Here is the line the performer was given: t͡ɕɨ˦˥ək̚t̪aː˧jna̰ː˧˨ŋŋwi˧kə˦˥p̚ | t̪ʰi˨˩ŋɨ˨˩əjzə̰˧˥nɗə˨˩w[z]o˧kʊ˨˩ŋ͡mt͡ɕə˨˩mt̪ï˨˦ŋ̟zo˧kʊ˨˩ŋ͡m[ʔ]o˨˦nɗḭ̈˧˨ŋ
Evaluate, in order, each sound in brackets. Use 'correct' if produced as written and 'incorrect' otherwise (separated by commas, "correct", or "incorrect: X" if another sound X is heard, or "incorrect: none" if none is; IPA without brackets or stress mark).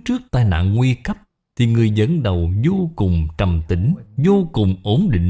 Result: correct, correct